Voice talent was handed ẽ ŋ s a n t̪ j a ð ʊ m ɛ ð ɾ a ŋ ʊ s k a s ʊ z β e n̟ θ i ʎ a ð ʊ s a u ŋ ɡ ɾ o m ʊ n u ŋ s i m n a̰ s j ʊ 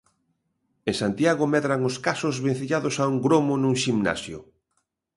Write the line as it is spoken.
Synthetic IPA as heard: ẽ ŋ s a n t̪ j a ɣ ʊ m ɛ ð ɾ a ŋ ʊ s k a s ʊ z β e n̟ θ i ʎ a ð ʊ s a u ŋ ɡ ɾ o m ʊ n u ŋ ʃ i m n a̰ s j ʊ